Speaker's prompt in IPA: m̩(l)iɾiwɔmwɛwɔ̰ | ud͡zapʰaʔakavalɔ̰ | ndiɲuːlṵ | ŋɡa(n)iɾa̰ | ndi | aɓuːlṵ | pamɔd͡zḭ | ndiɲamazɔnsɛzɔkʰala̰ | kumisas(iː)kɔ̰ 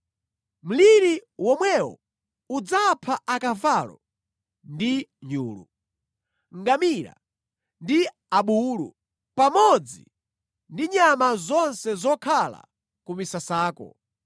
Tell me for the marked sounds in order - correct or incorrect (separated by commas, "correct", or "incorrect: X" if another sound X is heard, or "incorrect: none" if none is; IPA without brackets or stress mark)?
correct, incorrect: m, incorrect: aː